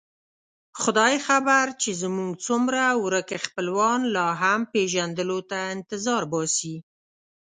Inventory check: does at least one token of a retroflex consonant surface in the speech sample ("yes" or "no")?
no